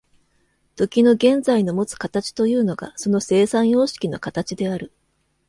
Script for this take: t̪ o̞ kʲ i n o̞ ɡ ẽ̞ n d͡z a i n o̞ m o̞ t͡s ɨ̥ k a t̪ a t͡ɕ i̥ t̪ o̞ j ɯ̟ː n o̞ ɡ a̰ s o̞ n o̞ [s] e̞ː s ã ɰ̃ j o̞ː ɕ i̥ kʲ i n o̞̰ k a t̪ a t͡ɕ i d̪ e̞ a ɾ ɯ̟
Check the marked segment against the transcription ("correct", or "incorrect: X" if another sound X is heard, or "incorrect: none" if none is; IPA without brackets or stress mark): correct